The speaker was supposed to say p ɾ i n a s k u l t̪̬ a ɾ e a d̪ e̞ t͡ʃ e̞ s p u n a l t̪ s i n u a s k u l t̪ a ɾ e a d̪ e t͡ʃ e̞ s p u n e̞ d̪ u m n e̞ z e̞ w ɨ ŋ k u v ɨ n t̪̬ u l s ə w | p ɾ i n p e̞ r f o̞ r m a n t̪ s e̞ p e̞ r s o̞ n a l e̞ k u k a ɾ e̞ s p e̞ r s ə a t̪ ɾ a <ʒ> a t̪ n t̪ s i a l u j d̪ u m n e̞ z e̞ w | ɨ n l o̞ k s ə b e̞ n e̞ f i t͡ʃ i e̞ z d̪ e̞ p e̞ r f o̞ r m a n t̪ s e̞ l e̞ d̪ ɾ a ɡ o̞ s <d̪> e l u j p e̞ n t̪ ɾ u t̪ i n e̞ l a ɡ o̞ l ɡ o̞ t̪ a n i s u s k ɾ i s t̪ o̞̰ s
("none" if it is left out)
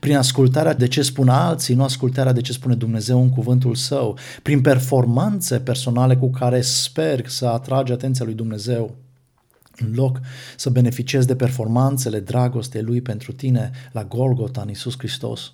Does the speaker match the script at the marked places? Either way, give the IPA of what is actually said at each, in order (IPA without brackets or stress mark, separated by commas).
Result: d͡ʒ, t̪